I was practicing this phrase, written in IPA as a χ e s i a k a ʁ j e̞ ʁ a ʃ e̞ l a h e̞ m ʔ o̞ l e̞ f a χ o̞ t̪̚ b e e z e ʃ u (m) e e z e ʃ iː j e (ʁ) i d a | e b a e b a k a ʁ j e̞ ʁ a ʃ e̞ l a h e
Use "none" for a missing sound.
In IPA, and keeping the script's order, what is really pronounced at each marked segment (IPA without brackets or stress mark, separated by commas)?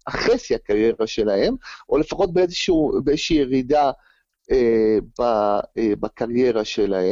b, ʁ